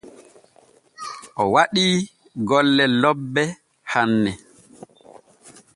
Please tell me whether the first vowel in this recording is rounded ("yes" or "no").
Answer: yes